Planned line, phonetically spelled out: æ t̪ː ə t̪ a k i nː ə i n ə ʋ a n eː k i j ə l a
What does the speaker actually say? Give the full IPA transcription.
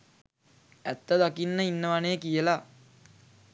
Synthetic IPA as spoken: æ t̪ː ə d̪ a k i nː ə i nː ə ʋ a n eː k i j ə l a